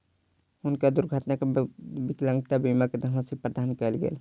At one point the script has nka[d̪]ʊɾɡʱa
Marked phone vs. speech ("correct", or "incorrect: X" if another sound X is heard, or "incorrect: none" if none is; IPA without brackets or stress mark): correct